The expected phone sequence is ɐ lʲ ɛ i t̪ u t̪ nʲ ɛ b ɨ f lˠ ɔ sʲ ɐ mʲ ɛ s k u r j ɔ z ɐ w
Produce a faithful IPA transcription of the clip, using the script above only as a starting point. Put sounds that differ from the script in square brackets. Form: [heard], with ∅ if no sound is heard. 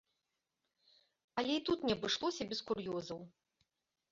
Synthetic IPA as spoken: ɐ lʲ ɛ i t̪ u t̪ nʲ ɛ b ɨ [ʂ] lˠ ɔ sʲ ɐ [bʲ] ɛ s k u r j ɔ z ɐ w